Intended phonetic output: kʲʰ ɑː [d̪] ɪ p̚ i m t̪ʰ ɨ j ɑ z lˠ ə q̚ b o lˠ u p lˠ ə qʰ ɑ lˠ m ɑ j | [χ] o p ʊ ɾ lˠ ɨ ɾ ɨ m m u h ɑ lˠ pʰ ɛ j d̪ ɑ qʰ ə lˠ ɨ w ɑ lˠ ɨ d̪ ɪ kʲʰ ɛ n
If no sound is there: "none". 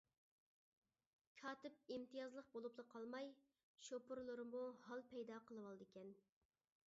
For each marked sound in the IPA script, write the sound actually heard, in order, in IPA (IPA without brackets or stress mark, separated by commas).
t̪, ʃ